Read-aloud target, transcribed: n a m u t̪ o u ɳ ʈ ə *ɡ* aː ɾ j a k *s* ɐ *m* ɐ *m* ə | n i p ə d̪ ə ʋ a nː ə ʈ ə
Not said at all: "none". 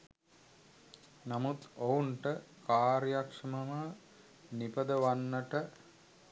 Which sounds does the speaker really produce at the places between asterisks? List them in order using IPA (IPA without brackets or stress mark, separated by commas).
k, ʂ, m, m